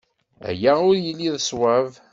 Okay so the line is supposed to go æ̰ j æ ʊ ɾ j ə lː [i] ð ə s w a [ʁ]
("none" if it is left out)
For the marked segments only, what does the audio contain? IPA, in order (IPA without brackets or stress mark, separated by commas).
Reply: i, v